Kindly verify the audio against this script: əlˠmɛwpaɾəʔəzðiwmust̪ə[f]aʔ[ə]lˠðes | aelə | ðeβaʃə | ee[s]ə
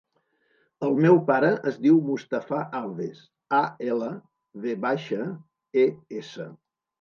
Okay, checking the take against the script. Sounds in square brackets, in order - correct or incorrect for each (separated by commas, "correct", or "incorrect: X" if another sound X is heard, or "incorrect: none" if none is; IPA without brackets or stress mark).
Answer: correct, incorrect: a, correct